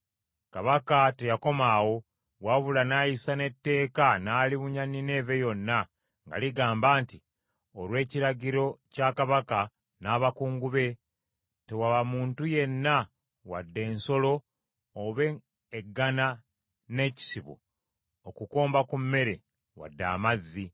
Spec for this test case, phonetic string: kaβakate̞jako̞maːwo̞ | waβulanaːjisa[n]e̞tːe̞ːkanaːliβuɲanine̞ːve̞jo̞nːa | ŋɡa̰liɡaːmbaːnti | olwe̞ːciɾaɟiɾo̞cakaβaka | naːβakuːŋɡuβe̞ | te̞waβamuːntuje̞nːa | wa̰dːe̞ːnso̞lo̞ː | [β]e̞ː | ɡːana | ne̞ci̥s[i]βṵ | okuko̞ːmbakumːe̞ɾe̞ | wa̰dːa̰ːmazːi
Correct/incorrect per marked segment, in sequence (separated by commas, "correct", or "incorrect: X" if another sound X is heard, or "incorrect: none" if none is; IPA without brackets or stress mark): correct, correct, correct